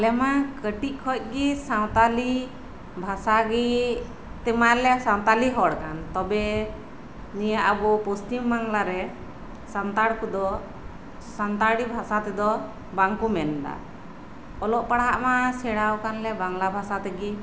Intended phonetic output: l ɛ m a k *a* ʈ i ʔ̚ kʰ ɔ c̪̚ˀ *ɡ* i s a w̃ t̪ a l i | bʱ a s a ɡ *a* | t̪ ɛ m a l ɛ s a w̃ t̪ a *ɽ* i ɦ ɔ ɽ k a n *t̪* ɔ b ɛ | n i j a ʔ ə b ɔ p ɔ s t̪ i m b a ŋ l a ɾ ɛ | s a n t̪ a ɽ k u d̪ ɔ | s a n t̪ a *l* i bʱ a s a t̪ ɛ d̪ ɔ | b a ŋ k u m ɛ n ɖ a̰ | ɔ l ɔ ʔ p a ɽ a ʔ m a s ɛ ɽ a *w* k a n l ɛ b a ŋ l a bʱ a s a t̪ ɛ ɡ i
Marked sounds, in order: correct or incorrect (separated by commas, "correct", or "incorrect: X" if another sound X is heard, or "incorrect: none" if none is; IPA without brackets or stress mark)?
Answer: incorrect: ə, correct, incorrect: i, incorrect: l, correct, incorrect: ɽ, correct